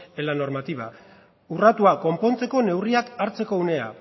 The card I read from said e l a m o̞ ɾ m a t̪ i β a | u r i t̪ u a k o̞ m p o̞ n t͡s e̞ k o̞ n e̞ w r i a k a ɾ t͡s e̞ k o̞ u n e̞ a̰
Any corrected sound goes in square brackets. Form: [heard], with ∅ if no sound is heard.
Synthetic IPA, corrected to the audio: e l a [n] o̞ ɾ m a t̪ i β a | u r [a] t̪ u a k o̞ m p o̞ n t͡s e̞ k o̞ n e̞ w r i a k a ɾ t͡s e̞ k o̞ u n e̞ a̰

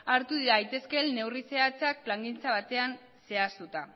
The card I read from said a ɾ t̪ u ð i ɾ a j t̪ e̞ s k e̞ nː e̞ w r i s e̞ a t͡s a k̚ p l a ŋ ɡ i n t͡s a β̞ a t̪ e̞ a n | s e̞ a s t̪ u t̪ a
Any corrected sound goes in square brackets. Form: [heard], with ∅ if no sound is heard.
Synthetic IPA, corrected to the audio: a ɾ t̪ u ð i ɾ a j t̪ e̞ s k e̞ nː e̞ w r i s e̞ a t͡s a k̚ p l a ŋ ɡ i n t͡s a β̞ a t̪ e̞ a n | s e̞ a s t̪ u t̪ a

